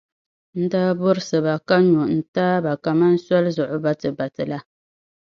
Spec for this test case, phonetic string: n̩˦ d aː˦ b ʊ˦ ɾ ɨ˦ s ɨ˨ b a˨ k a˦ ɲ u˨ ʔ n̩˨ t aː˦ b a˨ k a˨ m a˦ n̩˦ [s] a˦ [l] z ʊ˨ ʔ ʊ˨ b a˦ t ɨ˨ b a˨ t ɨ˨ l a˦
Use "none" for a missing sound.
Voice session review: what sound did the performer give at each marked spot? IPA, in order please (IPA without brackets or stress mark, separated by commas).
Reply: s, l